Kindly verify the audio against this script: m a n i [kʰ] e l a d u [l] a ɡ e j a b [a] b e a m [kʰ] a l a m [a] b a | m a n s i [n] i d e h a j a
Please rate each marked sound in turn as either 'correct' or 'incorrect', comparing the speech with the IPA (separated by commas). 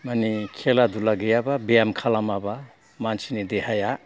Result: correct, correct, correct, correct, correct, correct